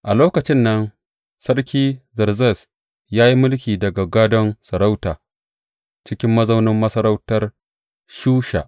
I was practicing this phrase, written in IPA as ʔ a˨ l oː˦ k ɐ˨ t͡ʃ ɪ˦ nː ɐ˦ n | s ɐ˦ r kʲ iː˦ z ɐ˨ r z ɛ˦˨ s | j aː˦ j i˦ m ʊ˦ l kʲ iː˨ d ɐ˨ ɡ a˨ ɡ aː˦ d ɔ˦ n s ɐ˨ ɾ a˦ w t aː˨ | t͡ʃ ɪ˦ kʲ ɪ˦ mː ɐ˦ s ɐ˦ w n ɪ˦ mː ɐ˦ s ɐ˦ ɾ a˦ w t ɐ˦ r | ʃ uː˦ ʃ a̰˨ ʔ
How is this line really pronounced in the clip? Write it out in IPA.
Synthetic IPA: ʔ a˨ l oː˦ k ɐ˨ t͡ʃ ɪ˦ nː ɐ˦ n | s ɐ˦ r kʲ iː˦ z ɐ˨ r z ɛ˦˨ s | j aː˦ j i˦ m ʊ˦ l kʲ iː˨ d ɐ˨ ɡ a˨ ɡ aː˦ d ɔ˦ n s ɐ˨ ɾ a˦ w t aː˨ | t͡ʃ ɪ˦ kʲ ɪ˦ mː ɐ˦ z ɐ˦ w n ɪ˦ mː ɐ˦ s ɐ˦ ɾ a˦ w t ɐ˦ r | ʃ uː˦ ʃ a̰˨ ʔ